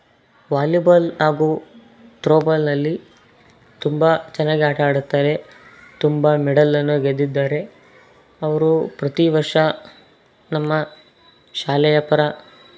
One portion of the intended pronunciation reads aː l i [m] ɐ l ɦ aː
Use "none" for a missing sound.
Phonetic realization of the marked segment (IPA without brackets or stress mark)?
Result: b